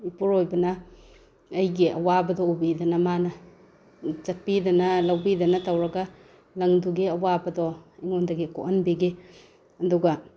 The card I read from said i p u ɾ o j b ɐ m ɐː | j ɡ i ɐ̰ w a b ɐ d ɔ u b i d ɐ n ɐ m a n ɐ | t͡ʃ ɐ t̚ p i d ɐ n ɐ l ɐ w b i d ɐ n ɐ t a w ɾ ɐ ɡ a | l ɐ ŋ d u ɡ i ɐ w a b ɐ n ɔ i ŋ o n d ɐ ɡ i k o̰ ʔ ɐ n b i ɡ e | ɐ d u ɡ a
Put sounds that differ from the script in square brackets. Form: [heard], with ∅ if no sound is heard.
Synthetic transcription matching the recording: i p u ɾ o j b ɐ [n] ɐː | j ɡ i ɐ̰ w a b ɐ d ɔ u b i d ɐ n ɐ m a n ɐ | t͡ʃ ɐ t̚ p i d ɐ n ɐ l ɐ w b i d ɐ n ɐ t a w ɾ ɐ ɡ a | l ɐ ŋ d u ɡ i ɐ w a b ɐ [d] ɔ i ŋ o n d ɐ ɡ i k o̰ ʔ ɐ n b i ɡ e | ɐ d u ɡ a